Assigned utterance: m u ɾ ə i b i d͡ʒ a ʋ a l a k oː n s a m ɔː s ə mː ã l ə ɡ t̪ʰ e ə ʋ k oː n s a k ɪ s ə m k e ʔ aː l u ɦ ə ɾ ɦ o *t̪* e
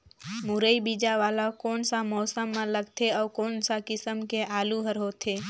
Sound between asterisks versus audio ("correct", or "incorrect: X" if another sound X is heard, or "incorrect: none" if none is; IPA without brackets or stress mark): incorrect: t̪ʰ